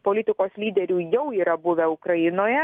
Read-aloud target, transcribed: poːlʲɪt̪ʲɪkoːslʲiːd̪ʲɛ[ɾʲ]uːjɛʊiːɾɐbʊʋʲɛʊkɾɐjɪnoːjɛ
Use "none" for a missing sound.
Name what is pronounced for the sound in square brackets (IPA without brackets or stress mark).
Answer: ɾʲ